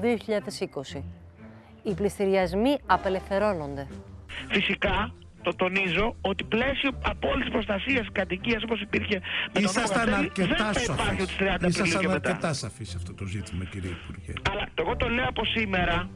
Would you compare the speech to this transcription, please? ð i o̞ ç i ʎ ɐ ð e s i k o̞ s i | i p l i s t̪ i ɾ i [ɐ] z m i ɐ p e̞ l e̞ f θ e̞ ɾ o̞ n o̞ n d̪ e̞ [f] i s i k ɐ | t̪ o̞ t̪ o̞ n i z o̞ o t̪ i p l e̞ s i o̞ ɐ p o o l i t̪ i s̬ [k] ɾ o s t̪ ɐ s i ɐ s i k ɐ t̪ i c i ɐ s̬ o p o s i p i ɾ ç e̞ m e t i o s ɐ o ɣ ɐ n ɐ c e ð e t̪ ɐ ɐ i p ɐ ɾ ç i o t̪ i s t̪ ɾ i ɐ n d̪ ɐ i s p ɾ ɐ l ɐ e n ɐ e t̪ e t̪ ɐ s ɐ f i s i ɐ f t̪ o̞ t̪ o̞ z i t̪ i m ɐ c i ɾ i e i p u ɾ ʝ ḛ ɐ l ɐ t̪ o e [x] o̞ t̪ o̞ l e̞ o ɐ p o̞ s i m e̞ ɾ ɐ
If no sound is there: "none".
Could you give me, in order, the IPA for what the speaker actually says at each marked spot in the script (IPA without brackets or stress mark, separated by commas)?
ɐ, f, p, ɣ